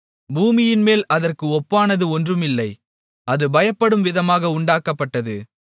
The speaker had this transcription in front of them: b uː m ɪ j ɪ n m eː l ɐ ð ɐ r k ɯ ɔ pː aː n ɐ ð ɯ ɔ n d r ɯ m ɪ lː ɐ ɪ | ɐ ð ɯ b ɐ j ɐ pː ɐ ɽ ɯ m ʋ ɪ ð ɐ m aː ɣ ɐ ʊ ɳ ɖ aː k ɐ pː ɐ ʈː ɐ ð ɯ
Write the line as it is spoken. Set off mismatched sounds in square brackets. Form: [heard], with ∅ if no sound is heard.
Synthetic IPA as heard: b uː m ɪ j ɪ n m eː l ɐ ð ɐ r k ɯ ɔ pː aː n ɐ ð ɯ ɔ n d r ɯ m ɪ lː ɐ ɪ | ɐ ð ɯ b ɐ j ɐ pː ɐ ɽ ɯ m ʋ ɪ ð ɐ m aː ɣ ɐ ʊ ɳ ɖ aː k ɐ pː ɐ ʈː ɐ ð ɯ

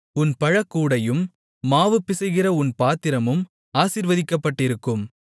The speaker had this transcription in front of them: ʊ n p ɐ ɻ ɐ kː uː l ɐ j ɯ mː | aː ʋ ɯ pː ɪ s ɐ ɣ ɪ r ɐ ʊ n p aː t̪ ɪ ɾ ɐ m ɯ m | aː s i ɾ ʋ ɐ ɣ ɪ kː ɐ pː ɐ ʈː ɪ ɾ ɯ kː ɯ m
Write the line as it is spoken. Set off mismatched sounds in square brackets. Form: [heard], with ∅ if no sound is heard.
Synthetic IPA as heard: ʊ n p ɐ ɻ ɐ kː uː [ɽ] ɐ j ɯ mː | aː ʋ ɯ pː ɪ s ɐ ɣ ɪ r ɐ ʊ n p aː t̪ ɪ ɾ ɐ m ɯ m | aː s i ɾ ʋ ɐ [ð] ɪ kː ɐ pː ɐ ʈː ɪ ɾ ɯ kː ɯ m

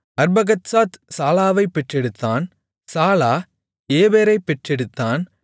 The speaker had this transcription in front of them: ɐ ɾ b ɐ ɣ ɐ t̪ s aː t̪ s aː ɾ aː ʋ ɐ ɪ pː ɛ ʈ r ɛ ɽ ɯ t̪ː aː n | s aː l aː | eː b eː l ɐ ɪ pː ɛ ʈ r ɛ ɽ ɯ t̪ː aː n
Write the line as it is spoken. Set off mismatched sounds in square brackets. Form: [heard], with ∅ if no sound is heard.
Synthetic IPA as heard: ɐ ɾ b ɐ ɣ ɐ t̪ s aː t̪ s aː [l] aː ʋ ɐ ɪ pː ɛ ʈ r ɛ ɽ ɯ t̪ː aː n | s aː l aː | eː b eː [ɾ] ɐ ɪ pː ɛ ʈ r ɛ ɽ ɯ t̪ː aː n

